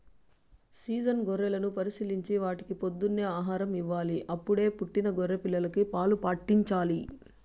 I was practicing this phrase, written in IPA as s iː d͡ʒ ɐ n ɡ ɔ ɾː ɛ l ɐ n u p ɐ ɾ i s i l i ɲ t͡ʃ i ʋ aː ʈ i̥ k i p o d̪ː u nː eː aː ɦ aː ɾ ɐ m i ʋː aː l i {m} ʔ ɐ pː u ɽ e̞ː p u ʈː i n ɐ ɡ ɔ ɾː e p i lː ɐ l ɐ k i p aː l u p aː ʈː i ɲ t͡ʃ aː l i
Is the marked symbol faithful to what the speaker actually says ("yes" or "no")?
no